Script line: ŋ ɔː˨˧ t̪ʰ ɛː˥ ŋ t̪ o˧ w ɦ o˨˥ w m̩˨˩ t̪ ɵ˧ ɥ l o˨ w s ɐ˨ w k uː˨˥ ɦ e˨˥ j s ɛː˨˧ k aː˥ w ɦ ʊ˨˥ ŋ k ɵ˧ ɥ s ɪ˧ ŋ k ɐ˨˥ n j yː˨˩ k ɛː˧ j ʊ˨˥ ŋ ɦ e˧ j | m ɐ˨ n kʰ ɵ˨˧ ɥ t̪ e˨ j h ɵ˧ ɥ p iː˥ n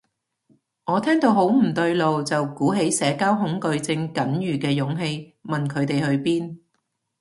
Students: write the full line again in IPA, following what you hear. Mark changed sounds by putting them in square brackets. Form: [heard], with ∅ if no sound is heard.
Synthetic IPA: ŋ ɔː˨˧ t̪ʰ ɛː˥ ŋ t̪ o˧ w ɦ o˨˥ w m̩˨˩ t̪ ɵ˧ ɥ l o˨ w [t͡s] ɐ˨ w k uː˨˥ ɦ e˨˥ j s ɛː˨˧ k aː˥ w ɦ ʊ˨˥ ŋ k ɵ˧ ɥ [t͡s] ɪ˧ ŋ k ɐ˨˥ n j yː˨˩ k ɛː˧ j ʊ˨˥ ŋ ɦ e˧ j | m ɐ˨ n kʰ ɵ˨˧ ɥ t̪ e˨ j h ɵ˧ ɥ p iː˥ n